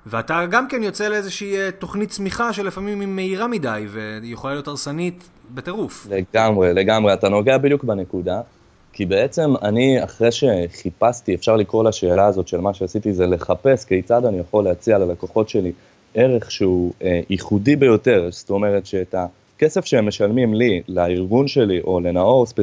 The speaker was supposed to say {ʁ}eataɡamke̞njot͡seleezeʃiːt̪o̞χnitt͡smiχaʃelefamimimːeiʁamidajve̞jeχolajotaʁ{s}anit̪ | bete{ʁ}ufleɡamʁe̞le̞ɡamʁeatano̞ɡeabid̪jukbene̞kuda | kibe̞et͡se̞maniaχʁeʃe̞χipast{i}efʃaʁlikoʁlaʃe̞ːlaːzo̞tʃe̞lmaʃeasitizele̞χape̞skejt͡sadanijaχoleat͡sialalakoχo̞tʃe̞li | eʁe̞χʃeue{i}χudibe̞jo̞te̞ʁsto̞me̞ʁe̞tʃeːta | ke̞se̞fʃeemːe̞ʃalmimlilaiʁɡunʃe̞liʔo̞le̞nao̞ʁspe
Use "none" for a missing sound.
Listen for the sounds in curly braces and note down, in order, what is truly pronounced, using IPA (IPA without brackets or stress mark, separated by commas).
v, s, ʁ, i, i